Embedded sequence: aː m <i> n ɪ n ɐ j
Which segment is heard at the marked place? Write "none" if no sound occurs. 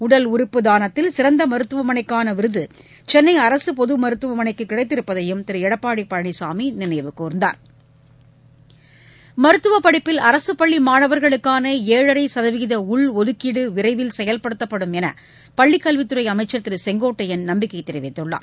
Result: i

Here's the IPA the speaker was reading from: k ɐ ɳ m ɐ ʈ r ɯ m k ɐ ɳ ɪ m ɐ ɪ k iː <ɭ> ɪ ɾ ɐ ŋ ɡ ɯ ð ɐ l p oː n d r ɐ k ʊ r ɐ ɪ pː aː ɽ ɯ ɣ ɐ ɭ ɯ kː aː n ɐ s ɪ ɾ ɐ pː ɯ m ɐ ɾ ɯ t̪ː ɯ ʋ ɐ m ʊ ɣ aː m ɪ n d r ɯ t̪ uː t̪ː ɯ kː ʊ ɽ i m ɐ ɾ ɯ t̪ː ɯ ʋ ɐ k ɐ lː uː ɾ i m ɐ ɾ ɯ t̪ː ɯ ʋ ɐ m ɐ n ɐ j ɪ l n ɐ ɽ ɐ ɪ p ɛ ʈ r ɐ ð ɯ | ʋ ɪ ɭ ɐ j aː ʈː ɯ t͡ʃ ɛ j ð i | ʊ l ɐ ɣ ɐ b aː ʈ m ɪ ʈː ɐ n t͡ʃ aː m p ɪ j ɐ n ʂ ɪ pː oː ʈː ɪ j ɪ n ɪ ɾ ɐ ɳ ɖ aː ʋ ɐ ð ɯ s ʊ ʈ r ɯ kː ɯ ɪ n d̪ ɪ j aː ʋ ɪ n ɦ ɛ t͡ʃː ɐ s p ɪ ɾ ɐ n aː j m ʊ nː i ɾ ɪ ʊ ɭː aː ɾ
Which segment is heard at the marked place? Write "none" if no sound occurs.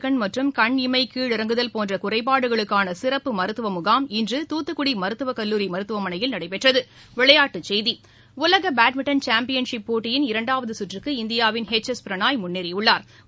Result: ɭ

